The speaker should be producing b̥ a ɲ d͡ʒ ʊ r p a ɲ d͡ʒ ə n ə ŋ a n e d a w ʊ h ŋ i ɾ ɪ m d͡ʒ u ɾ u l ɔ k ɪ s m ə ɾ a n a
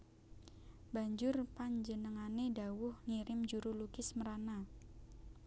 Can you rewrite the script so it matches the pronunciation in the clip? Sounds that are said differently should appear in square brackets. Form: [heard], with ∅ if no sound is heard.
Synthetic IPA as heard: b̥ a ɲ d͡ʒ ʊ r p a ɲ d͡ʒ ə n ə ŋ a n e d a w ʊ h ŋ i ɾ ɪ m d͡ʒ u ɾ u l [u] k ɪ s m ə ɾ a n a